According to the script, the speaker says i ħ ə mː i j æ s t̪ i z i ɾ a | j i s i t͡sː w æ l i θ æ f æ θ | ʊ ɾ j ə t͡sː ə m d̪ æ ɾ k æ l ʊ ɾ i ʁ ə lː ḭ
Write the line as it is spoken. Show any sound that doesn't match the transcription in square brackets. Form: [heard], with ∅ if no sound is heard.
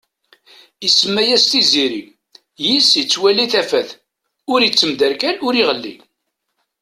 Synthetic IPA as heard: i [s] ə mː [æ] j æ s t̪ i z i ɾ [i] | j i s i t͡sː w æ l i θ æ f æ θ | ʊ ɾ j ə t͡sː ə m d̪ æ ɾ k æ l ʊ ɾ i ʁ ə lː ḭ